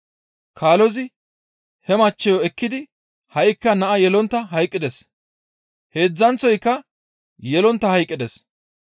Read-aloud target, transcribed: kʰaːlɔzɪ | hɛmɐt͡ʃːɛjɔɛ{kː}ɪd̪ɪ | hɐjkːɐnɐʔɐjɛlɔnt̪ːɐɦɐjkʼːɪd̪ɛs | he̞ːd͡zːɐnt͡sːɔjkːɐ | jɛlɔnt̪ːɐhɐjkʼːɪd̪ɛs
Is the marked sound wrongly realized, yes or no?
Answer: no